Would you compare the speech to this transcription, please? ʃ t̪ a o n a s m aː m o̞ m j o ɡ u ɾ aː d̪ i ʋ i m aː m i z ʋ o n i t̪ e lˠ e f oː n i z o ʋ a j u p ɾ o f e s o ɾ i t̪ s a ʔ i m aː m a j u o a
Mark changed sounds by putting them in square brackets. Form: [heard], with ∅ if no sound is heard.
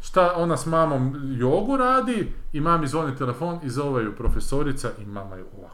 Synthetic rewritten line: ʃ t̪ a o n a s m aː m o̞ m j o ɡ u ɾ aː d̪ i [∅] i m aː m i z ʋ o n i t̪ e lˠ e f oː n i z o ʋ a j u p ɾ o f e s o ɾ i t̪ s a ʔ i m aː m a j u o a